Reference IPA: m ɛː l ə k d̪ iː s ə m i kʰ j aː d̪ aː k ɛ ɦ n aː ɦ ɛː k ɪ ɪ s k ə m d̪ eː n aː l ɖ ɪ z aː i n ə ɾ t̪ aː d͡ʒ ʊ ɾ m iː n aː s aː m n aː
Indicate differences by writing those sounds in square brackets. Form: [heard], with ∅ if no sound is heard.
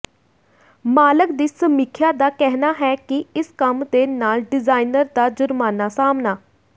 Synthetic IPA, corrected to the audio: m [aː] l ə k d̪ iː s ə m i kʰ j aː d̪ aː k ɛ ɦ n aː ɦ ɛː k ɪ ɪ s k ə m d̪ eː n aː l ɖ ɪ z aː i n ə ɾ [d̪] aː d͡ʒ ʊ ɾ m [aː] n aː s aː m n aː